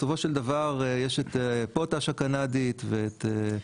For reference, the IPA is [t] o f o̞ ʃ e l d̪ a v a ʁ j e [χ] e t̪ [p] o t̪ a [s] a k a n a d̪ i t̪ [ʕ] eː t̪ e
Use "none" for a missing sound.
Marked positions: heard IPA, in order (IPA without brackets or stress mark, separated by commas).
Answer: s, ʃ, p, ʃ, v